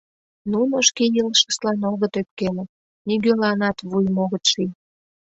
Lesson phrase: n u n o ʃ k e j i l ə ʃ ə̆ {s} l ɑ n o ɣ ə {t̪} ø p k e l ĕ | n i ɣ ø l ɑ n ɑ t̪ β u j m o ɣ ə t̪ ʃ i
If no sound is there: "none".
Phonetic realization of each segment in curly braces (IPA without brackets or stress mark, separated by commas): s, t̪